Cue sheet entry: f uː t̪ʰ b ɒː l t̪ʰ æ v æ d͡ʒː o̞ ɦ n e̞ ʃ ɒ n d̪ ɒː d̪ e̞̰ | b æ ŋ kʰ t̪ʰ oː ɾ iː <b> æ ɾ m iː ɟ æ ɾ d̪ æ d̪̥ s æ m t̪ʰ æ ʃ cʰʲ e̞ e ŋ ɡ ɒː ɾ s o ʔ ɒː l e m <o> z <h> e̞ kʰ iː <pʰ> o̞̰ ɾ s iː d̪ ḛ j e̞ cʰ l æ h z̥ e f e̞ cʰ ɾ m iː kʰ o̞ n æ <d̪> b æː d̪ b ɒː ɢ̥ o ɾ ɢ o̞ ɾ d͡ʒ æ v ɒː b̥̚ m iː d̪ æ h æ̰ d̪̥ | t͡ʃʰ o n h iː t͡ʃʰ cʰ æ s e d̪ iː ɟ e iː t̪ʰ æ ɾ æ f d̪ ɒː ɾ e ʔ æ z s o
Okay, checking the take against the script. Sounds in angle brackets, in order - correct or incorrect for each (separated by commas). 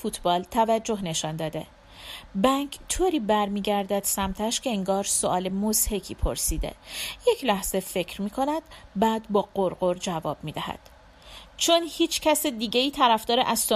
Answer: correct, correct, correct, correct, correct